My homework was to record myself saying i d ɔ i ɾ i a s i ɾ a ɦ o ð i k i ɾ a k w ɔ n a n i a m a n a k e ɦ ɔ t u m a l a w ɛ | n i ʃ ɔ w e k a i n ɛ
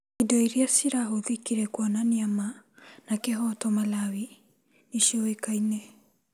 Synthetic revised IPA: i d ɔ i ɾ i a s i ɾ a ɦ o ð i k i ɾ ɛ k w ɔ n a n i a m a n a k e ɦ ɔ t ɔ m a l a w i | n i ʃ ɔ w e k a i n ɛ